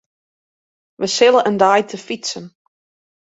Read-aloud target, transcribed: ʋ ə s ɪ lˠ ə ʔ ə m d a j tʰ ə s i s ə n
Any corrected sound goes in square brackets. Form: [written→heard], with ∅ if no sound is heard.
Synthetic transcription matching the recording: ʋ ə s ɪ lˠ ə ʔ ə [m→n] d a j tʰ ə [s→f] i s ə n